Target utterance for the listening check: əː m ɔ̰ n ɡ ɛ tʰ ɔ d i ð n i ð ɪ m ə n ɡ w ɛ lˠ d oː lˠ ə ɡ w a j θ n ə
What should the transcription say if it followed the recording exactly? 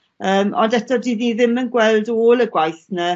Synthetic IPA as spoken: əː m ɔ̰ n d ɛ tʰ ɔ d i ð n i ð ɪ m ə n ɡ w ɛ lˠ d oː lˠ ə ɡ w a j θ n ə